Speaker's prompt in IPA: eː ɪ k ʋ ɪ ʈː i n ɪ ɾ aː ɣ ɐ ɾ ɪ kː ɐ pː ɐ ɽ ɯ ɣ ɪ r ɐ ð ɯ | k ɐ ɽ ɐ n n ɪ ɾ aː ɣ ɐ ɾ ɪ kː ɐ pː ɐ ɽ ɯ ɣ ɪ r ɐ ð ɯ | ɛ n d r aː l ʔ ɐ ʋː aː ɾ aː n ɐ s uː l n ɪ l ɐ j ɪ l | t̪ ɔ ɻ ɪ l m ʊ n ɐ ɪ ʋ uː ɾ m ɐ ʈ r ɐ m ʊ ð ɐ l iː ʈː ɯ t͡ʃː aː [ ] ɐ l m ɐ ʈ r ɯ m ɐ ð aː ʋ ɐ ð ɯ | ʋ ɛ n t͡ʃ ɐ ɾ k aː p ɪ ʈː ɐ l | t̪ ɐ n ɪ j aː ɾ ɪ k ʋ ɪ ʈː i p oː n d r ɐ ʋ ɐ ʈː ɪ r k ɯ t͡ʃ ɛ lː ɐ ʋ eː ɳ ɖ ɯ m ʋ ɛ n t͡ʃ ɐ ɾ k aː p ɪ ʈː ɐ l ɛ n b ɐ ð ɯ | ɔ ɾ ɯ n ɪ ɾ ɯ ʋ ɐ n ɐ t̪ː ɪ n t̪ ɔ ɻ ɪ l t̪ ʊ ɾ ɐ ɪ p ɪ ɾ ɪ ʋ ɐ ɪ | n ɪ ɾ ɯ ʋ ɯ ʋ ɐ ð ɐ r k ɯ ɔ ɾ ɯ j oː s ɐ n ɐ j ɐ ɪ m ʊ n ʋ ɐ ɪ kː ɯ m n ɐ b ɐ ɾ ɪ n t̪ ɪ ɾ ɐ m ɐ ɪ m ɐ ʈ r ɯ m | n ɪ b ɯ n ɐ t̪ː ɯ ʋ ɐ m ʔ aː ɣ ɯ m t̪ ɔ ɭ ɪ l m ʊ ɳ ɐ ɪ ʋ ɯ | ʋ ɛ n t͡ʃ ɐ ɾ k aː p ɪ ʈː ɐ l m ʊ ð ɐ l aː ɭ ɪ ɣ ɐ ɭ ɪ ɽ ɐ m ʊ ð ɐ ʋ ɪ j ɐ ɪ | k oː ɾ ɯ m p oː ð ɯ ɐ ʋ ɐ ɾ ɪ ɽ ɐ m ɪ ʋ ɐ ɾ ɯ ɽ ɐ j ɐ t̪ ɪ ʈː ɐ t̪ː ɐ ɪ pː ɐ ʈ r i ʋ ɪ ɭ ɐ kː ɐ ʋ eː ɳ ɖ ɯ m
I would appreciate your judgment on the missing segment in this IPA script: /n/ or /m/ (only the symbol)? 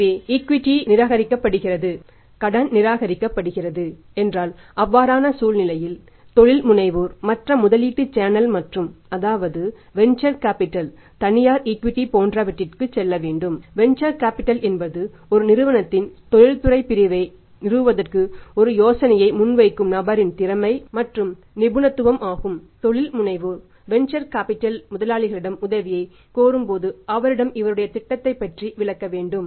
n